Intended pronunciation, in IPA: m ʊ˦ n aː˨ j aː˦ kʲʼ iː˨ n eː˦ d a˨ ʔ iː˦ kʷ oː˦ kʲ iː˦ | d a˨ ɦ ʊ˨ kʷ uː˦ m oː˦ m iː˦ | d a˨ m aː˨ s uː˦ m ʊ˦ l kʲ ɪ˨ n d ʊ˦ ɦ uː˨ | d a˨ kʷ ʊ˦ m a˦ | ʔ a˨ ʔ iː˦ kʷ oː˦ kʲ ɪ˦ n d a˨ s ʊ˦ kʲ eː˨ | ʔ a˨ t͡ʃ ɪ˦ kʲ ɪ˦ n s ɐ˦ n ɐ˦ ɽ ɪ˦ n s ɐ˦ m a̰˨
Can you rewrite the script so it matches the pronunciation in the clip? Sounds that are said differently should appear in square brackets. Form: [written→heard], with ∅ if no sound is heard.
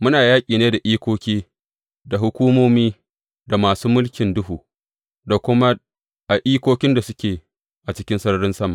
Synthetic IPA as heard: m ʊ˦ n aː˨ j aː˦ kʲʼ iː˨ n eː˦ d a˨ ʔ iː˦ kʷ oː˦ kʲ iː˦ | d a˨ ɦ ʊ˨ kʷ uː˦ m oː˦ m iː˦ | d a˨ m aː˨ s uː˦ m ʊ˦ l kʲ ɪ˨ n d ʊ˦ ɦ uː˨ | d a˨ kʷ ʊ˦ m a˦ | ʔ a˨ ʔ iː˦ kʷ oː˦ kʲ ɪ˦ n d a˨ s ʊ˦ kʲ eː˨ | ʔ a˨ t͡ʃ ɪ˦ kʲ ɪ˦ n s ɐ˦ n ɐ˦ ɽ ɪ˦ n s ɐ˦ m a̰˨